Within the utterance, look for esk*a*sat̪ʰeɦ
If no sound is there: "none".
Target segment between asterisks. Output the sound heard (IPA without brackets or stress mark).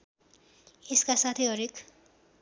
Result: a